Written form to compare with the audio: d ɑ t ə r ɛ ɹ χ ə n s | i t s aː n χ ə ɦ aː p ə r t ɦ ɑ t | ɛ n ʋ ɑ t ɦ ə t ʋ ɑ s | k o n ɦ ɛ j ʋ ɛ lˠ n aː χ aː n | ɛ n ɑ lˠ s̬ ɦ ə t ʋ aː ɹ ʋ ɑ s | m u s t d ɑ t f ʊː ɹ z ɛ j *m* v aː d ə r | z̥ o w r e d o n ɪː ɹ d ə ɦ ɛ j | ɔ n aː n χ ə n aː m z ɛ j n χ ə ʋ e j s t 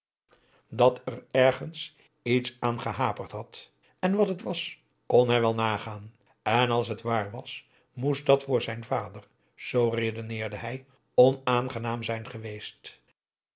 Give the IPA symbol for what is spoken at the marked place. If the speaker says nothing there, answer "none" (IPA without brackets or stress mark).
n